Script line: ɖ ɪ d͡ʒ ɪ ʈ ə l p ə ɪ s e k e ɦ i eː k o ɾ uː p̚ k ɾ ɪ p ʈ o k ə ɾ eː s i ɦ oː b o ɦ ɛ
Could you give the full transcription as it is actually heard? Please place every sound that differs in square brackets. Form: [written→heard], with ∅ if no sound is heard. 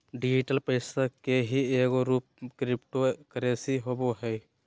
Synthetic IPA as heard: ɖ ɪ d͡ʒ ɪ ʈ ə l p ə ɪ s [e→a] k e ɦ i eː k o ɾ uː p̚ k ɾ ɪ p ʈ o k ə ɾ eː s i ɦ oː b o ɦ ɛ